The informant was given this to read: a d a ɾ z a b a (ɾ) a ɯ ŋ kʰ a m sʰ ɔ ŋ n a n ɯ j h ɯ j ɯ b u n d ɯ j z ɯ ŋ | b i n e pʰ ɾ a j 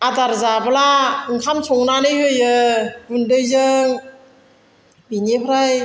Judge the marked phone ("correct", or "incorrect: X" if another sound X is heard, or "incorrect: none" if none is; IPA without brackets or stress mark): incorrect: l